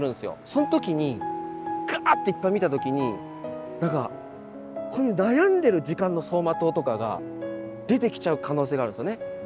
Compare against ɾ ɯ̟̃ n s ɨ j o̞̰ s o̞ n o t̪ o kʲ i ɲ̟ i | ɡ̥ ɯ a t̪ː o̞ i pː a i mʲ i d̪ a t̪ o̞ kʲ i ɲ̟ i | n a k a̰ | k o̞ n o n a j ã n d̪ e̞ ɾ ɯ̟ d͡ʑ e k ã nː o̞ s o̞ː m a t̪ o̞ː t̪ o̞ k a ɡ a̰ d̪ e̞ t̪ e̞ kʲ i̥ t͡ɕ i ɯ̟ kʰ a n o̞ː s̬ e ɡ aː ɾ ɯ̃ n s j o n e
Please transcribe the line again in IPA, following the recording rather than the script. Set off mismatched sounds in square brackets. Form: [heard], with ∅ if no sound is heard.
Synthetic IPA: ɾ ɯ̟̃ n s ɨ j o̞̰ s o̞ n o t̪ o kʲ i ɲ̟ i | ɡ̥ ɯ a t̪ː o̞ i pː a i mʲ i [t̪] a t̪ o̞ kʲ i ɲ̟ i | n a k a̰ | k o̞ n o n a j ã n d̪ e̞ ɾ ɯ̟ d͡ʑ [i] k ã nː o̞ s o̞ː m a t̪ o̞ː t̪ o̞ k a ɡ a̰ d̪ e̞ t̪ e̞ kʲ i̥ t͡ɕ [a] ɯ̟ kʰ a n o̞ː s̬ e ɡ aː ɾ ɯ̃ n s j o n e